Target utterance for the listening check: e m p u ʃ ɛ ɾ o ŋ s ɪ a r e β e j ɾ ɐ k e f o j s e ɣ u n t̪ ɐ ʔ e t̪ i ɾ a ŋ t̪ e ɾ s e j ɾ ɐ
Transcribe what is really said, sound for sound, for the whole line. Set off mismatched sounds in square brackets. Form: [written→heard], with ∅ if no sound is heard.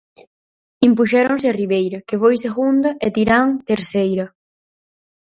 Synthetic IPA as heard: [e→i] m p u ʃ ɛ ɾ o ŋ s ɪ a r [e→i] β e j ɾ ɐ k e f o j s e ɣ u n [t̪→d̪] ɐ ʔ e t̪ i ɾ a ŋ t̪ e ɾ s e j ɾ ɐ